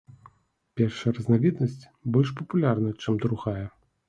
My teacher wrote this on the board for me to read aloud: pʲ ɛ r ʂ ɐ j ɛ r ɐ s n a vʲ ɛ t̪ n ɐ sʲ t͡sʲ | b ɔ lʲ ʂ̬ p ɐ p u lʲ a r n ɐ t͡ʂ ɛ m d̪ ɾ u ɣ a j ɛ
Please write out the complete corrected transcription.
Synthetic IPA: pʲ ɛ r ʂ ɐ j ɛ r ɐ z n a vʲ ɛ d̪ n ɐ sʲ t͡sʲ | b ɔ lʲ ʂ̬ p ɐ p u lʲ a r n ɐ t͡ʂ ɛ m d̪ ɾ u ɣ a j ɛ